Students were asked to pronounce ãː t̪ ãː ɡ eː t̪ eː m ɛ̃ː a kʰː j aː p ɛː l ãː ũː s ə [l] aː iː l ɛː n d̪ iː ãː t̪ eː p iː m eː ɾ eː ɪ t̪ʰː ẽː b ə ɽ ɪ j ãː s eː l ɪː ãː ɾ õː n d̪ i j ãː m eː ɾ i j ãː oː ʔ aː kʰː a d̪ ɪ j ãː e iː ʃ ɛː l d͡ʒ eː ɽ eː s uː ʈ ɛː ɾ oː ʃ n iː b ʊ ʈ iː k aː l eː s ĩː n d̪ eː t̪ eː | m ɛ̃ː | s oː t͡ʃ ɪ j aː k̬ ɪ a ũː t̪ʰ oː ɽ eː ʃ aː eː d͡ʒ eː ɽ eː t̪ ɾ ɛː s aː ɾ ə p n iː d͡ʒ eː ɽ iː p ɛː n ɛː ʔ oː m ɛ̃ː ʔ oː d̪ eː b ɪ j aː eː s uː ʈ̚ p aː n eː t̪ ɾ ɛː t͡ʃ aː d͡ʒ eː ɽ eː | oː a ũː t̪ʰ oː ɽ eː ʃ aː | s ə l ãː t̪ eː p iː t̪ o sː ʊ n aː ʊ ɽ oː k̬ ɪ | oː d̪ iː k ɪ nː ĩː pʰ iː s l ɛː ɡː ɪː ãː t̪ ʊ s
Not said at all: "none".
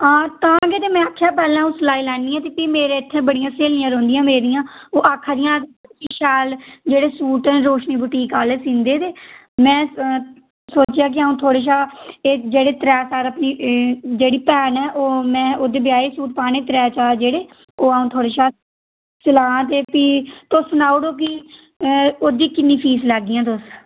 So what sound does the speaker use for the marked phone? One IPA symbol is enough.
l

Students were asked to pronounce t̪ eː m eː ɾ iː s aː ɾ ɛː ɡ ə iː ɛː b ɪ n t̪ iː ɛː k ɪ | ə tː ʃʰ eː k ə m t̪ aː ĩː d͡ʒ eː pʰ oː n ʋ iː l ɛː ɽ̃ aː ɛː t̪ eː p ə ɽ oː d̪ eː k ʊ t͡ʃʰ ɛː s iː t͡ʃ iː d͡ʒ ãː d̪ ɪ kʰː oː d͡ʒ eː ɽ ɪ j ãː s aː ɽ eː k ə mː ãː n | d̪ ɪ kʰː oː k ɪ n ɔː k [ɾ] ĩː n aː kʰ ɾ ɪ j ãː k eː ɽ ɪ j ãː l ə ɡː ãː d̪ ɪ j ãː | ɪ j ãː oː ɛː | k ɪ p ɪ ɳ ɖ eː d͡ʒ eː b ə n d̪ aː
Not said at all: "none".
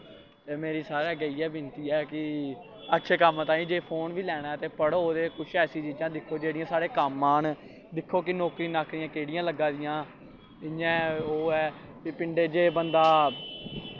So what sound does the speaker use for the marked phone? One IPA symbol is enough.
ɾ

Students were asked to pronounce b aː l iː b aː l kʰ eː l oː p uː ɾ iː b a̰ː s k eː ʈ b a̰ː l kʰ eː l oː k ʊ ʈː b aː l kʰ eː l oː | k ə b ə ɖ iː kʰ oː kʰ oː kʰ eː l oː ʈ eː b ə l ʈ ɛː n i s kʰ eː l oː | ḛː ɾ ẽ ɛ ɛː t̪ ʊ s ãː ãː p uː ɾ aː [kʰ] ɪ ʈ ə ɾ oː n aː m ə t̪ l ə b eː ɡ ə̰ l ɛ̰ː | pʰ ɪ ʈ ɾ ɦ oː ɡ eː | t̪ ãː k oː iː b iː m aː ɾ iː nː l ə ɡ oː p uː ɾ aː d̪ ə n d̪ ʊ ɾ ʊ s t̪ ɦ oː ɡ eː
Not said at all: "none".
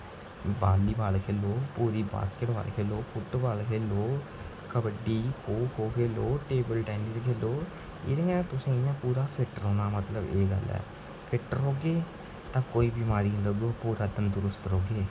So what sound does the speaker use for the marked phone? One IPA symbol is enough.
pʰ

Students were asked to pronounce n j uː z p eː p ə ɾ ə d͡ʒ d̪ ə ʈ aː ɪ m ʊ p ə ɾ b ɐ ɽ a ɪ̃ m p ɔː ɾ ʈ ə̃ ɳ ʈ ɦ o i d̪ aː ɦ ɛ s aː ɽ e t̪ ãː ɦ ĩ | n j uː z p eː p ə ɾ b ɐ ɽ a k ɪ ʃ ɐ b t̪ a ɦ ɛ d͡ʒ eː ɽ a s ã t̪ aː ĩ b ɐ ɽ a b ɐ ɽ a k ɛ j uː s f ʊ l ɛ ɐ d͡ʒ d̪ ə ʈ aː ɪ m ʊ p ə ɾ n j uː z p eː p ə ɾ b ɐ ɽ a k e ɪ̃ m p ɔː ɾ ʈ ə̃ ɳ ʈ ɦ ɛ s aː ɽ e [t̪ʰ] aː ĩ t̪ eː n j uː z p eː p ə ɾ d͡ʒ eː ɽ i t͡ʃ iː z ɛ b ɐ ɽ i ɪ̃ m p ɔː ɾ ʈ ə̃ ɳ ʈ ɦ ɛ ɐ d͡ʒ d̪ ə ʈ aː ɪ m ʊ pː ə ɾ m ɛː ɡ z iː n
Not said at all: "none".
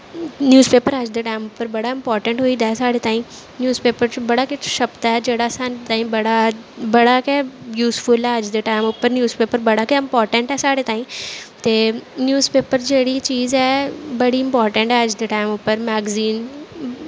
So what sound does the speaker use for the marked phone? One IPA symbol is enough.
t̪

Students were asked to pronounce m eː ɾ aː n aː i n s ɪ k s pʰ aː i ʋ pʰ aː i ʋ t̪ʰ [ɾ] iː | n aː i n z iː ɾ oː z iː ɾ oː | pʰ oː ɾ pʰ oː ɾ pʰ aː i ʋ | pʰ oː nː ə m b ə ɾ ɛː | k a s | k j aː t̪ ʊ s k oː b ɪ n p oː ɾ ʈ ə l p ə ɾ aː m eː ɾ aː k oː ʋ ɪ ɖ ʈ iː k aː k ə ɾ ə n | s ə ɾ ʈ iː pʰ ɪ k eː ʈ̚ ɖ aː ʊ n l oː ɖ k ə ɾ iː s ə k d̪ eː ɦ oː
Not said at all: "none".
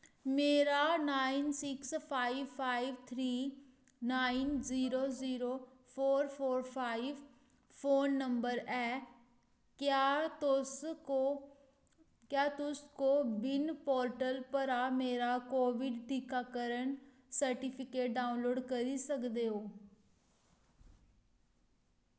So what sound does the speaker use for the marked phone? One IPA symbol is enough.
ɾ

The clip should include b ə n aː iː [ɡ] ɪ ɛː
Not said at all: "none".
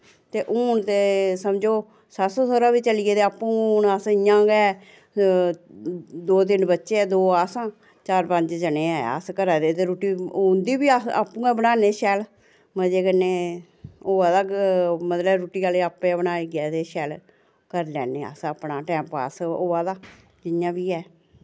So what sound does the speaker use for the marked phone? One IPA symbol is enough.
ɡ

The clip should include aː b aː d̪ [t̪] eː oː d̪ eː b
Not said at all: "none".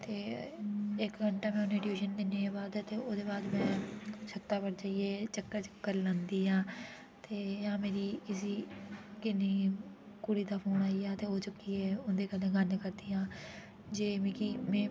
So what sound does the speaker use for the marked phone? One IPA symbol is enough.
t̪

